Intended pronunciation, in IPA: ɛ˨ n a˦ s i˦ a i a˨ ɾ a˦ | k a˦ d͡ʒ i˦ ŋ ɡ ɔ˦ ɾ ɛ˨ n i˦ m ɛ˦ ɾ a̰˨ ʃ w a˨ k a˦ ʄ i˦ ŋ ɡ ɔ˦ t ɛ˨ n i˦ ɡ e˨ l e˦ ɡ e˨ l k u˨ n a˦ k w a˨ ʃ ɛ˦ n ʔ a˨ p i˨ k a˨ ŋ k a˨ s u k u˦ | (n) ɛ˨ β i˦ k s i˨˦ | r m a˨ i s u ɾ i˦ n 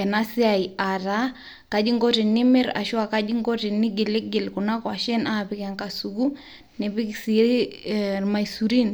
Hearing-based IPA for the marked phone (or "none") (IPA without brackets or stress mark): n